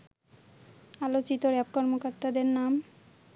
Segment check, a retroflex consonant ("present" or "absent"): absent